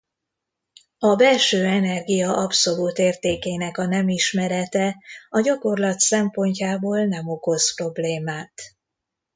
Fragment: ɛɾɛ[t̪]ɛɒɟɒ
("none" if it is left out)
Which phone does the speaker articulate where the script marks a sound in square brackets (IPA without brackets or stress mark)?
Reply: t̪